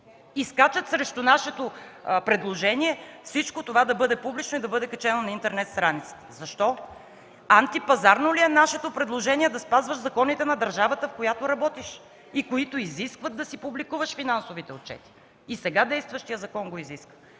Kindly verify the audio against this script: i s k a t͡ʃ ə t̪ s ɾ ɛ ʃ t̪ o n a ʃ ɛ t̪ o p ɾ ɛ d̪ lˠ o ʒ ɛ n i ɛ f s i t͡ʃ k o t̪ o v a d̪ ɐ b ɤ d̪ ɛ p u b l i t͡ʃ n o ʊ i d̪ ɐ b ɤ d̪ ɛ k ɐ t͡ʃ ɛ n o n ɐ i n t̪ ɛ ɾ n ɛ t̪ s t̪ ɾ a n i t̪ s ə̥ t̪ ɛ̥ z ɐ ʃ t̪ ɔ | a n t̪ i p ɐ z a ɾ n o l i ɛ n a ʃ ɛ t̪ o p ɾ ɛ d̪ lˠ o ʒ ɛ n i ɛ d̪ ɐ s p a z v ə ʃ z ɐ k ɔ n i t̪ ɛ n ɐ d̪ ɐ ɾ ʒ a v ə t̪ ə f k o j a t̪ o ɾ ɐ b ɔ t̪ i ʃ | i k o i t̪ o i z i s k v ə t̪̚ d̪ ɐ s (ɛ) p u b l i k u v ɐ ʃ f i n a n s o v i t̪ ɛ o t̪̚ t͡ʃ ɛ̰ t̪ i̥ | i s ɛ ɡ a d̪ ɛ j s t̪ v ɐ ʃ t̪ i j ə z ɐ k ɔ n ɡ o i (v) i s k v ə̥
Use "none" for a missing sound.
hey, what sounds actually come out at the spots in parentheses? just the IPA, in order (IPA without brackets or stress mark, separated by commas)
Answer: i, z